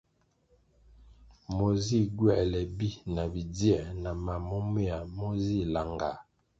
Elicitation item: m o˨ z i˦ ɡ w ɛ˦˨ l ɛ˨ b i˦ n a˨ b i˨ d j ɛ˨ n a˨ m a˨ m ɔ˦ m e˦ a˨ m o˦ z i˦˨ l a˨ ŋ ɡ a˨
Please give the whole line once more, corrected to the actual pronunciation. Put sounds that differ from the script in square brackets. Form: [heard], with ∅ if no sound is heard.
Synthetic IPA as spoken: m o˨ z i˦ ɡ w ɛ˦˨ l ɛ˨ b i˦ n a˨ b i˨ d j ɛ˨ n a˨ m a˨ m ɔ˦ m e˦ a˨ m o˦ z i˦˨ l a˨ ŋ ɡ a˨